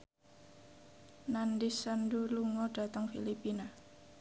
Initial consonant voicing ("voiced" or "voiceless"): voiced